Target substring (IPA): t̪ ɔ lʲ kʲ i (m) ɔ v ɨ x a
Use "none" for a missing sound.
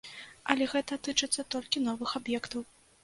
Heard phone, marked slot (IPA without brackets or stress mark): n